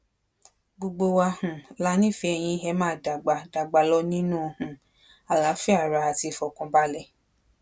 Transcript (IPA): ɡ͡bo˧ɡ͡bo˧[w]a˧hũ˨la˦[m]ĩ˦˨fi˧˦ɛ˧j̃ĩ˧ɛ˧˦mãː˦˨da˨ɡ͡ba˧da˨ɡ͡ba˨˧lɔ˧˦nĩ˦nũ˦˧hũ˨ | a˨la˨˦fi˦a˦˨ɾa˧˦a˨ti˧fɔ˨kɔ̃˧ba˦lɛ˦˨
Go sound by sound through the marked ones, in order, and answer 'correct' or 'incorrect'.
correct, incorrect: n

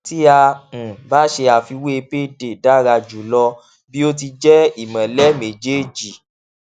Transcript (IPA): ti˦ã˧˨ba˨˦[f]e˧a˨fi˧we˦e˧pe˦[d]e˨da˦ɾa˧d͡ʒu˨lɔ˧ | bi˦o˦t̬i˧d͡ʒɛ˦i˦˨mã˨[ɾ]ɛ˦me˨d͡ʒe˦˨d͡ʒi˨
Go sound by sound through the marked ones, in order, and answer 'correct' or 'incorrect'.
incorrect: ʃ, correct, incorrect: l

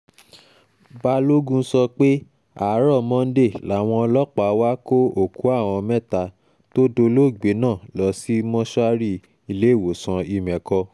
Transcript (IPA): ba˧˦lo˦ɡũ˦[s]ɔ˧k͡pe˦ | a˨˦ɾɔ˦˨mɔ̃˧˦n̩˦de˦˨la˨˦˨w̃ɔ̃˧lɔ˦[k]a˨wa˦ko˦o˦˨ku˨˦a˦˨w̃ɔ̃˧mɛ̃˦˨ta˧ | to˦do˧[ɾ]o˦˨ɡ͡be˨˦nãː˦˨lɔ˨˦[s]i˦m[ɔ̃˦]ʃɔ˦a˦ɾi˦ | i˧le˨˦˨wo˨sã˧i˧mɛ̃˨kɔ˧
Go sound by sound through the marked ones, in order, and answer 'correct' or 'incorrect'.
correct, incorrect: k͡p, incorrect: l, correct, correct

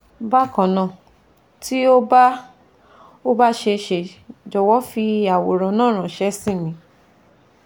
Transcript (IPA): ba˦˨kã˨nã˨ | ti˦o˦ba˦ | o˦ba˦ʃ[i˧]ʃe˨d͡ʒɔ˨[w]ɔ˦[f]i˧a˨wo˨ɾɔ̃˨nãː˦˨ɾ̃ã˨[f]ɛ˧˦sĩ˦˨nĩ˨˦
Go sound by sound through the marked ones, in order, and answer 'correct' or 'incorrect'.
incorrect: e˧, correct, correct, incorrect: ʃ

